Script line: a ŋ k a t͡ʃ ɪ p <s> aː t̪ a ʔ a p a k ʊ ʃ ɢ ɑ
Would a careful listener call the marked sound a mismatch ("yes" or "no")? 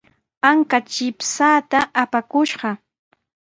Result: no